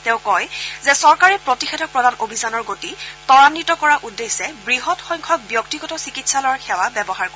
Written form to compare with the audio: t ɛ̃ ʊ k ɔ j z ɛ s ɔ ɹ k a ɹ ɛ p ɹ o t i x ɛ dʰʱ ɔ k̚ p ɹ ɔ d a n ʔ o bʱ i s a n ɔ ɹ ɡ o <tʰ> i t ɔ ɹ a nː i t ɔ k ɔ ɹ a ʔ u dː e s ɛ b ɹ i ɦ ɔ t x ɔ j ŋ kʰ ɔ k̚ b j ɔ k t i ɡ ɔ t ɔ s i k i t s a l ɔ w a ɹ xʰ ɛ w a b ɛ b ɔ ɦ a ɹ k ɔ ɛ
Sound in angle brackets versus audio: incorrect: t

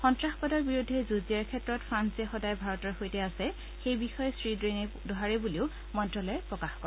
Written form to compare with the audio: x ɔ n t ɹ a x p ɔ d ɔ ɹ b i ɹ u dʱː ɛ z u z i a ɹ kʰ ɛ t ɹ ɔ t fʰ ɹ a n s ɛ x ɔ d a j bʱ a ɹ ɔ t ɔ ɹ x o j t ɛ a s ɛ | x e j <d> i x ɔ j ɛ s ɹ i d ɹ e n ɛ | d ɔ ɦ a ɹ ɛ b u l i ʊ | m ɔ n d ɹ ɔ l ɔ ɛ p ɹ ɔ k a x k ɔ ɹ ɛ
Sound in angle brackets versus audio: incorrect: b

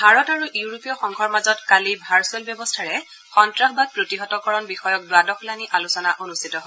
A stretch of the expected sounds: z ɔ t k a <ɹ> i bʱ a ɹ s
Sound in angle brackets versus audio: incorrect: l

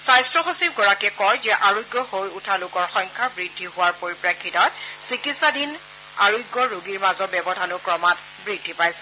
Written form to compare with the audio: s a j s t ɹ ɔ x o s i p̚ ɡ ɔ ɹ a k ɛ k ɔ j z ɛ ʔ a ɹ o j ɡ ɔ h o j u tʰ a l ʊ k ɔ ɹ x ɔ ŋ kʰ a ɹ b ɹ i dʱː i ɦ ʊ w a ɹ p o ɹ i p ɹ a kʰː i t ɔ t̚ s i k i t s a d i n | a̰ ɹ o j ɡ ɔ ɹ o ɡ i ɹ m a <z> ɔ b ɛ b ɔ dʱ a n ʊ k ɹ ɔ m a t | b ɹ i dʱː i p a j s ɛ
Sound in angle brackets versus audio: correct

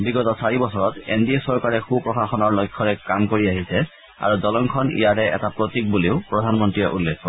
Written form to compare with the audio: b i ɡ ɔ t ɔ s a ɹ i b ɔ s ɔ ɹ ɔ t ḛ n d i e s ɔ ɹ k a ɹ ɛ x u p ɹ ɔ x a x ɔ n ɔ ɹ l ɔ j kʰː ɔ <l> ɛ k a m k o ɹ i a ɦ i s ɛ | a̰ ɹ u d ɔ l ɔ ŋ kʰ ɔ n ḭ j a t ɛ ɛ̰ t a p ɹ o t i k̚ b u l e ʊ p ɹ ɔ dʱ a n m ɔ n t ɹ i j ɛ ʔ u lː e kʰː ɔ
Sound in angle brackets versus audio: incorrect: ɹ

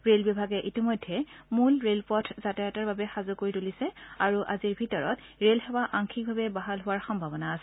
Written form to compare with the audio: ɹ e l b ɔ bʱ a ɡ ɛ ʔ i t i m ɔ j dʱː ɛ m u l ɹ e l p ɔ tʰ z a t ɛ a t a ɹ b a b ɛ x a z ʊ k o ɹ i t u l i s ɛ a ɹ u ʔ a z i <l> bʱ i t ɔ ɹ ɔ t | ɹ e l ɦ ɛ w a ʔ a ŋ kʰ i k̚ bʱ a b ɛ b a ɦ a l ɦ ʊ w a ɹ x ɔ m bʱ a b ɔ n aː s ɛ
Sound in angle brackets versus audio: incorrect: ɹ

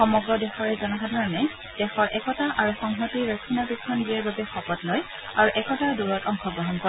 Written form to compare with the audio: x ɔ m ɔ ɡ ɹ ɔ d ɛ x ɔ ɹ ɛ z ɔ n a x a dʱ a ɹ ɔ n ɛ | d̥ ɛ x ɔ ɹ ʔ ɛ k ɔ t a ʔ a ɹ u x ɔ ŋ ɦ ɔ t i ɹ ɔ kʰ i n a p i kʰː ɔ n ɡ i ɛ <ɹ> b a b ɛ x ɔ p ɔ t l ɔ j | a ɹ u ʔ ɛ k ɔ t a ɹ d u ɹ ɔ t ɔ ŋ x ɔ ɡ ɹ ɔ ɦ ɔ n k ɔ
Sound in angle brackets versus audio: correct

